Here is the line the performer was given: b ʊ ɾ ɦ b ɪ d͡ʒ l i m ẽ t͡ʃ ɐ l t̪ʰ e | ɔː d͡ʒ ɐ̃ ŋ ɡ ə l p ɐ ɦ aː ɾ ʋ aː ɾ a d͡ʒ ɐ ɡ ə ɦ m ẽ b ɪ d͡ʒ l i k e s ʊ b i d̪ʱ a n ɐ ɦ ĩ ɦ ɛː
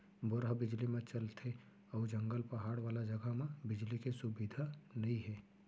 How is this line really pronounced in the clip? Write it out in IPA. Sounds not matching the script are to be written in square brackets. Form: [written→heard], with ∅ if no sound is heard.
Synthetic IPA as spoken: b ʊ ɾ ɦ b ɪ d͡ʒ l i m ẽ t͡ʃ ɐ l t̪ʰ e | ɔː d͡ʒ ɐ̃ ŋ ɡ ə l p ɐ ɦ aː [ɾ→ɽ] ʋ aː [ɾ→l] a d͡ʒ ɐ ɡ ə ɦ m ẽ b ɪ d͡ʒ l i k e s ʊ b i d̪ʱ a n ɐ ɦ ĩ ɦ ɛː